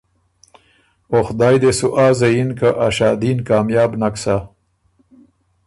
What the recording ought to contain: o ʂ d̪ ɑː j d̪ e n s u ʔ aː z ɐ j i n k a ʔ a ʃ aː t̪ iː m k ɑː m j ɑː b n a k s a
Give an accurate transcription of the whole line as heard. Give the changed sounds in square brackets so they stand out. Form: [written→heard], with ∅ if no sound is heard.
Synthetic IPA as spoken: o [ʂ→x] d̪ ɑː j d̪ e [n→∅] s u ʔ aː z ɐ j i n k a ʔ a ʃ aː [t̪→d̪] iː [m→n] k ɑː m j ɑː b n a k s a